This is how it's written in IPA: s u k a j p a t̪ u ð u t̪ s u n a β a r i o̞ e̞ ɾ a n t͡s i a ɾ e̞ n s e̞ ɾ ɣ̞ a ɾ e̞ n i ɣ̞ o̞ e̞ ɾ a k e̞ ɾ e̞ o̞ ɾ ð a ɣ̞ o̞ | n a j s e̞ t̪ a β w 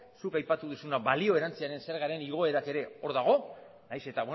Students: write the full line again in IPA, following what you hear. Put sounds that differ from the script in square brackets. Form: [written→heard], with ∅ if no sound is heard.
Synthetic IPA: s u k a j p a t̪ u ð u [t̪→∅] s u n a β a [r→l] i o̞ e̞ ɾ a n t͡s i a ɾ e̞ n s e̞ ɾ ɣ̞ a ɾ e̞ n i ɣ̞ o̞ e̞ ɾ a k e̞ ɾ e̞ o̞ ɾ ð a ɣ̞ o̞ | n a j s e̞ t̪ a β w